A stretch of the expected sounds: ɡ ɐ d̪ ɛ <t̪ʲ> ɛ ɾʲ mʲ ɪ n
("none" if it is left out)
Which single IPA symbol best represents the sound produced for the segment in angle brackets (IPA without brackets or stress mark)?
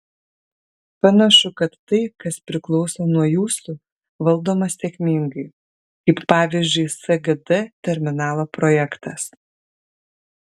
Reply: t̪ʲ